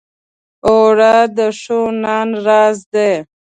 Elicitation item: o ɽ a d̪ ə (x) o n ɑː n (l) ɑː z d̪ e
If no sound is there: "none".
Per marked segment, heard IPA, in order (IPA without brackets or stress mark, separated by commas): ʂ, ɾ